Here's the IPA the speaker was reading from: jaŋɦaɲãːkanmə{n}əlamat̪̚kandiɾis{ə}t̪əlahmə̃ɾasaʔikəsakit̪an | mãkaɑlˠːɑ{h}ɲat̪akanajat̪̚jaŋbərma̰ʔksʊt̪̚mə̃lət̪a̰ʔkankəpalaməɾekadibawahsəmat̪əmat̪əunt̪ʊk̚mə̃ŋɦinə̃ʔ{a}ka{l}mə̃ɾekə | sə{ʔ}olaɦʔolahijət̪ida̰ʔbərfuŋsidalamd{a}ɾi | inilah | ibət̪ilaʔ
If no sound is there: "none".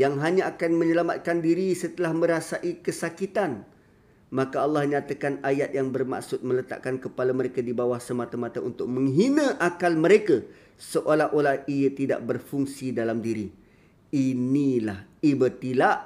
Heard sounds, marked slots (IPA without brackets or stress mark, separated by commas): ɲ, ə, h, a, l, ʔ, i